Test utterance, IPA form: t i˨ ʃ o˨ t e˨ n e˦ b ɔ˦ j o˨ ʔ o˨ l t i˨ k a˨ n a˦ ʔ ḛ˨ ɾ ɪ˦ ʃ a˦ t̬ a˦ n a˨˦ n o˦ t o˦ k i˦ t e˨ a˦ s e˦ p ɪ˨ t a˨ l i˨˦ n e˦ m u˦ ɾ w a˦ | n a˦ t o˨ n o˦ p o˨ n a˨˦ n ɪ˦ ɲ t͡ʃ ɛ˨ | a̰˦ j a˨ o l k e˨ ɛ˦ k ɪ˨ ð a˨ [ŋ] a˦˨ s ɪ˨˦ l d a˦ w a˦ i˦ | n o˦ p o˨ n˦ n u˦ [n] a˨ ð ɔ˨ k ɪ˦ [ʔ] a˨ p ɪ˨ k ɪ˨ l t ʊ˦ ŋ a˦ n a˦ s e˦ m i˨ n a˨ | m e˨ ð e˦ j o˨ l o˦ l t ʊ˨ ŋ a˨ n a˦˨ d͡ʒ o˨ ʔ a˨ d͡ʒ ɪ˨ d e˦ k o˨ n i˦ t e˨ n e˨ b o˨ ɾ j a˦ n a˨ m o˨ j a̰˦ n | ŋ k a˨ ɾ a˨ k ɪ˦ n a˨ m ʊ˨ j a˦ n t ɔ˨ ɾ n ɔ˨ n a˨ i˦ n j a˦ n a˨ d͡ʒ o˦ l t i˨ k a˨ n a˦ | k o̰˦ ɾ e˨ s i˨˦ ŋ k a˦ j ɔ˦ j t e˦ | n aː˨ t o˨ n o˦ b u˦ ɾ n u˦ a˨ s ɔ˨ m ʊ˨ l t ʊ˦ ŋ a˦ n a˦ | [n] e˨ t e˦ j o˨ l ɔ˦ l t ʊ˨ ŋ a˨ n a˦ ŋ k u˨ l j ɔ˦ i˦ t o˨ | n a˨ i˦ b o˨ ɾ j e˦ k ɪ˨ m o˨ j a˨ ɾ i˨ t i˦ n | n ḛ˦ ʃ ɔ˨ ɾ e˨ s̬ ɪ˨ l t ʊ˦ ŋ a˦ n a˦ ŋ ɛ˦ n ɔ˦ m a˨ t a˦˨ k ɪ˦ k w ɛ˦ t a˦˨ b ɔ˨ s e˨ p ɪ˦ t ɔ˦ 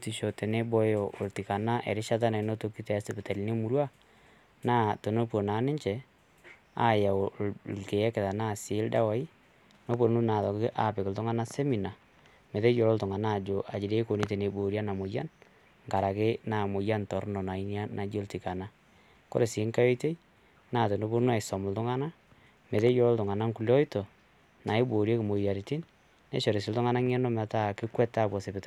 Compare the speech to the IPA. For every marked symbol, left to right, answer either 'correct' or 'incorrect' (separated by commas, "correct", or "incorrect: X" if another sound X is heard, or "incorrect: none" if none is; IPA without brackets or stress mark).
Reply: incorrect: n, correct, correct, incorrect: m